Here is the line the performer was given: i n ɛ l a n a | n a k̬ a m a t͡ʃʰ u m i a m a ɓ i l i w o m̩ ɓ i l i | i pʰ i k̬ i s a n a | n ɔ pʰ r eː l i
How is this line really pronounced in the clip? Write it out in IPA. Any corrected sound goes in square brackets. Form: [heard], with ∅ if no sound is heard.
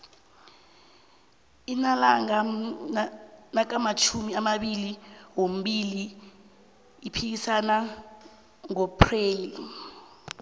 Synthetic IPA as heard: i n [a] l a [ŋ] a | n a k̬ a m a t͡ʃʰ u m i a m a ɓ i l i w o m̩ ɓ i l i | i pʰ i k̬ i s a n a | [ŋ] ɔ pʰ r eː l i